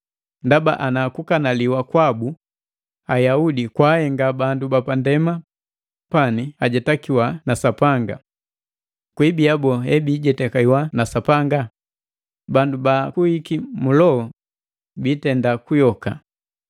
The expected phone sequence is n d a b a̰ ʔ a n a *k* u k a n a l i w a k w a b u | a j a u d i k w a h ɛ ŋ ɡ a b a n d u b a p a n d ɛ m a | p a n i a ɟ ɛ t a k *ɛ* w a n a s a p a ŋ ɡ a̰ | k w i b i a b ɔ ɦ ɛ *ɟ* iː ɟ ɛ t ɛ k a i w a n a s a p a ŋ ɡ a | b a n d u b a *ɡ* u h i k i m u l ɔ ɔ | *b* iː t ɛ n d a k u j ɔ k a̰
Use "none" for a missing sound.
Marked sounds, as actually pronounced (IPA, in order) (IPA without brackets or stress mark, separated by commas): k, i, b, k, b